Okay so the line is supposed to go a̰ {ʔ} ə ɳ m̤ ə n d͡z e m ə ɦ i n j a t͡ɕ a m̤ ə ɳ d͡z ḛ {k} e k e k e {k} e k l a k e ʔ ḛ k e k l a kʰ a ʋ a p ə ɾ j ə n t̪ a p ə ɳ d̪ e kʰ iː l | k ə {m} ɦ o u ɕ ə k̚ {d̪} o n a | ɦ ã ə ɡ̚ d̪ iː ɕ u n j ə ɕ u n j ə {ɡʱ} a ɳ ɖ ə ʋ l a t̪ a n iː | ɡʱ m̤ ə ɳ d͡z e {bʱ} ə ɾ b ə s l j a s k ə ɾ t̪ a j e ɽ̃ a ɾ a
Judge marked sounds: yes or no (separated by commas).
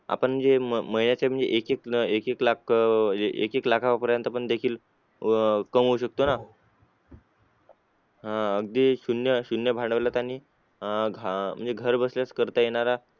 no, no, yes, yes, no, no, no